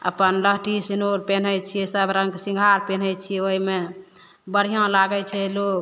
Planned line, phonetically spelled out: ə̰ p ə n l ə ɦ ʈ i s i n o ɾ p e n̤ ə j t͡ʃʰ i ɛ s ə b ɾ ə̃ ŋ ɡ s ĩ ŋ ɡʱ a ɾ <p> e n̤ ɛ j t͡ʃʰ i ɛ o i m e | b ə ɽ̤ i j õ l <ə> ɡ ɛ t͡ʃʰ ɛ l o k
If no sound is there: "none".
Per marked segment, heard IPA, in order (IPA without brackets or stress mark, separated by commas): p, a